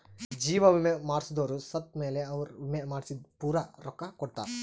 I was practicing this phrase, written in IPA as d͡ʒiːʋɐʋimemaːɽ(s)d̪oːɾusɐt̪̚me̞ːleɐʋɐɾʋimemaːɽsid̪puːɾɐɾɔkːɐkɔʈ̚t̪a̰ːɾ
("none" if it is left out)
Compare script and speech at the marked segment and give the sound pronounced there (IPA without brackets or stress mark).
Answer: s